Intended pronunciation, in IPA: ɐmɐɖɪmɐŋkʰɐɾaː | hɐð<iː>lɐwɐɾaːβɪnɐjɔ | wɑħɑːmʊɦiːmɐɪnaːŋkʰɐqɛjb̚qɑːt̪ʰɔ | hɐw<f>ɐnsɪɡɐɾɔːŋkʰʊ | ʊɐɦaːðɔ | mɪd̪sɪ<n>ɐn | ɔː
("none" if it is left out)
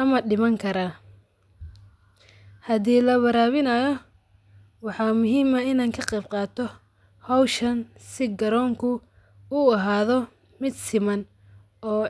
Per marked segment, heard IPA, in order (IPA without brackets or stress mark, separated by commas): iː, ʃ, m